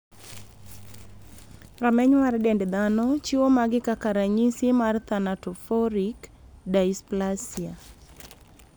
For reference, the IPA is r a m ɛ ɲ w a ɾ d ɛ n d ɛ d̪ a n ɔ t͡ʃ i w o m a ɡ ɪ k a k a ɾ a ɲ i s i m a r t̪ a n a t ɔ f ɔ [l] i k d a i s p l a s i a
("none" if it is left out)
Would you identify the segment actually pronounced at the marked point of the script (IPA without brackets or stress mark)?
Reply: ɾ